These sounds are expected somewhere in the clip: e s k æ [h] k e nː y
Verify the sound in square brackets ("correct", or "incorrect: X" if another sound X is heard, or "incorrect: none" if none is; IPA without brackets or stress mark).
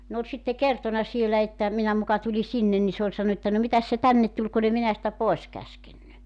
incorrect: s